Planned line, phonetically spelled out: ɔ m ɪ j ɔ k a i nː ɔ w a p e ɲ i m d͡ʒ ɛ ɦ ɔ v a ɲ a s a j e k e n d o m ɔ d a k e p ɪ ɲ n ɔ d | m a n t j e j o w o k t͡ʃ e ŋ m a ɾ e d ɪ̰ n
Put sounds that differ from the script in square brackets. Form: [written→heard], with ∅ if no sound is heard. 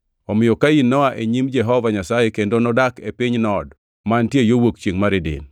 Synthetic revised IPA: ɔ m ɪ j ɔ k a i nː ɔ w a [p→ʔ] e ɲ i m d͡ʒ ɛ ɦ ɔ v a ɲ a s a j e k e n d o [m→n] ɔ d a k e p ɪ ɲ n ɔ d | m a n t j e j o w o k t͡ʃ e ŋ m a ɾ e d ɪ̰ n